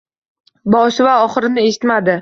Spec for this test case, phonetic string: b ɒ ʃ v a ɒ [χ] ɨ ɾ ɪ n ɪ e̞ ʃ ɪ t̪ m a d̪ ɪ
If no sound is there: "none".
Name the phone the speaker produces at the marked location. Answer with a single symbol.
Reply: χ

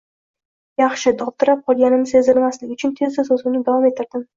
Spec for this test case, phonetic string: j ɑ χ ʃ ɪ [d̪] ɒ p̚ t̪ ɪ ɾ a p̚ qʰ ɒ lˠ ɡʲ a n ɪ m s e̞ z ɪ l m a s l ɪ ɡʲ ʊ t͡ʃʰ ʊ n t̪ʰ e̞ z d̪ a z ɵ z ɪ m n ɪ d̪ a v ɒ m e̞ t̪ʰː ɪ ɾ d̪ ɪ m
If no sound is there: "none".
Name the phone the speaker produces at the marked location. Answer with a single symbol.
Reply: d̪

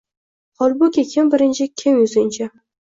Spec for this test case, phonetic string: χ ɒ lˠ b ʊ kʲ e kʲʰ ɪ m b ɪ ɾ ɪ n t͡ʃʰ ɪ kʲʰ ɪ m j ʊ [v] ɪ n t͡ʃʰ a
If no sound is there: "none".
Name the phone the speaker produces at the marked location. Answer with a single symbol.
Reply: z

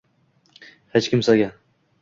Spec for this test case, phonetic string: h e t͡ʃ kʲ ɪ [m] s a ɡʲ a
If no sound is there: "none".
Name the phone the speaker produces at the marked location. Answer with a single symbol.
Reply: m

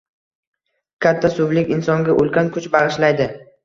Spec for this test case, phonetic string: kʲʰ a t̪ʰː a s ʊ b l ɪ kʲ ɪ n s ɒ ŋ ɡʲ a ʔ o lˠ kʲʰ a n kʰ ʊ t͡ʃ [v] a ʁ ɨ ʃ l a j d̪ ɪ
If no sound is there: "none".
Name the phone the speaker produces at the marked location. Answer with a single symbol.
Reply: b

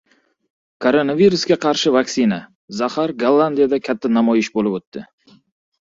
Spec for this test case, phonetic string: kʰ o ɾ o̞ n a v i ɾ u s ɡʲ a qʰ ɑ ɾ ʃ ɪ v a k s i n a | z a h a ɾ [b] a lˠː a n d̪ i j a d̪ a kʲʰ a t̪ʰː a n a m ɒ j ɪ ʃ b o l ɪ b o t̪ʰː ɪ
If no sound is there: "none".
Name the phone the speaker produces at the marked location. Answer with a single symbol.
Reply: ɡ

